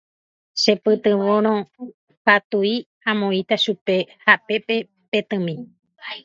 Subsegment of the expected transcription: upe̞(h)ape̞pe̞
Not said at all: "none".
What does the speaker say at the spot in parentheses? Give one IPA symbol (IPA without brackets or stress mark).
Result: h